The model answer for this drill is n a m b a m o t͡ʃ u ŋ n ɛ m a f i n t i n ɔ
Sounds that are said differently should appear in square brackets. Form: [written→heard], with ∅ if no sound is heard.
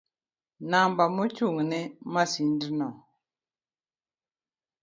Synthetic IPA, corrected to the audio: n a m b a m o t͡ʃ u ŋ n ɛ m a [f→s] i n [t→d] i n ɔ